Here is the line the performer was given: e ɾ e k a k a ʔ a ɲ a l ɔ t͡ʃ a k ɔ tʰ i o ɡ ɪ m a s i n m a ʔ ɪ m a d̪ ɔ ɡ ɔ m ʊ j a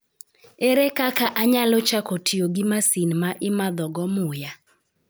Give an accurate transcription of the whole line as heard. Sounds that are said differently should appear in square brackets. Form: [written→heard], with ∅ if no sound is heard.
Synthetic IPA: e ɾ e k a k a ʔ a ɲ a l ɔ t͡ʃ a k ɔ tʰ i o ɡ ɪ m a s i n m a ʔ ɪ m a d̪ ɔ ɡ ɔ m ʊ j a